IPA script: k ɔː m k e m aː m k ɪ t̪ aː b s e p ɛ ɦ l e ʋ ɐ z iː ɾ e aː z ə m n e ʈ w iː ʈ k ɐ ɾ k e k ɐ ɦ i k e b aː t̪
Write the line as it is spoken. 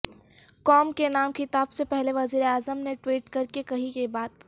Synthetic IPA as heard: k ɔː m k e n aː m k ɪ t̪ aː b s e p ɛ ɦ l e ʋ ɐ z iː ɾ e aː z ə m n e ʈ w iː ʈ k ɐ ɾ k e k ɐ ɦ i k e b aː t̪

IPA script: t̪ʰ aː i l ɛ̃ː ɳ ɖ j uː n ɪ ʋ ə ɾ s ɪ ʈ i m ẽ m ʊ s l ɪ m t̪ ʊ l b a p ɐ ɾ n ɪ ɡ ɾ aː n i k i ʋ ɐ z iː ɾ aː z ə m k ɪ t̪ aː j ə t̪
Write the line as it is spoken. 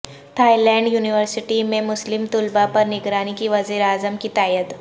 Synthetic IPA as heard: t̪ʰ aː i l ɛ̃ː ɳ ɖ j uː n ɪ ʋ ə ɾ s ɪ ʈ i m ẽ m ʊ s l ɪ m t̪ ʊ l b a p ɐ ɾ n ɪ ɡ ɾ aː n i k i ʋ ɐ z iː ɾ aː z ə m k i t̪ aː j ə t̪

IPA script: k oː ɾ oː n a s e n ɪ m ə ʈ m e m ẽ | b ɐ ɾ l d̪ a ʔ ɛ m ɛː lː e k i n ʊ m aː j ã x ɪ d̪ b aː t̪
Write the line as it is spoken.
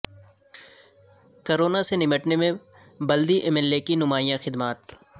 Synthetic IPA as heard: k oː ɾ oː n a s e n ɪ m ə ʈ n e m ẽ | b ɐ l d̪ i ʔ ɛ m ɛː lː e k i n ʊ m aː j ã x ɪ d̪ m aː t̪

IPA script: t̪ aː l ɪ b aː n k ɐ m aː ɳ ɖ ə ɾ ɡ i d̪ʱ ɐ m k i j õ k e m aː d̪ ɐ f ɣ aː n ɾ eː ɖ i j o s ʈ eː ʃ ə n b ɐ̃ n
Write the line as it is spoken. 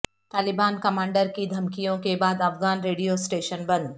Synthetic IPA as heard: t̪ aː l ɪ b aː n k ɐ m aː ɳ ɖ ə ɾ k i d̪ʱ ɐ m k i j õ k e b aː d̪ ɐ f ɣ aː n ɾ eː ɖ i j o s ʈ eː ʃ ə n b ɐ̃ n

